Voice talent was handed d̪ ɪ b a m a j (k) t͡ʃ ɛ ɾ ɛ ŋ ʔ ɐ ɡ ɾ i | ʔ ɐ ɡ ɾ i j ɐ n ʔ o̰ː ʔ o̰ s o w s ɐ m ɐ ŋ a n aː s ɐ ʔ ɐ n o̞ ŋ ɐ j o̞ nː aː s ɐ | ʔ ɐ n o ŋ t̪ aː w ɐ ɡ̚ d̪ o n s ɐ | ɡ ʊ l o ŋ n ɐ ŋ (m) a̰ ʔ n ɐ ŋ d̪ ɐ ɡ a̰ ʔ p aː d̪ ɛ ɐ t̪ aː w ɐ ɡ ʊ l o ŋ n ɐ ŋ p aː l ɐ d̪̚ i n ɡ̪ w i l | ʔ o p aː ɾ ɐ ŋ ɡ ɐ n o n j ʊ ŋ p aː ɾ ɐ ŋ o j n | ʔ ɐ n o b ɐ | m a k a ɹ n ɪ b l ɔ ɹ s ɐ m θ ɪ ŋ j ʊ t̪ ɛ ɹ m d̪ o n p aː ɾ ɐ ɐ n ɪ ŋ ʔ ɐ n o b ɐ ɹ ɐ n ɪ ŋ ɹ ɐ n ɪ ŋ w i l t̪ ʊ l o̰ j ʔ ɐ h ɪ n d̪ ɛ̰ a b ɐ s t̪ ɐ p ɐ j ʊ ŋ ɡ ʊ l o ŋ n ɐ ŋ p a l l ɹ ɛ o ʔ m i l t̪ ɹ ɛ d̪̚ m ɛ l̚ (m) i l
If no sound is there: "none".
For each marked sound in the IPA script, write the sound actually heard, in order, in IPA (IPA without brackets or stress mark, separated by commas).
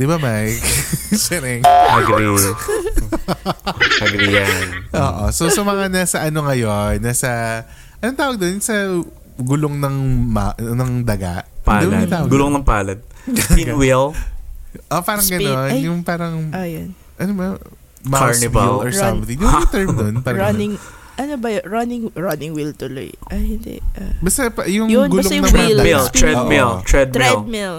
k, m, m